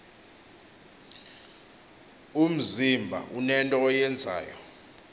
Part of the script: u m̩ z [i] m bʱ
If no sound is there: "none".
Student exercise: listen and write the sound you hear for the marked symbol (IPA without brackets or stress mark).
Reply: i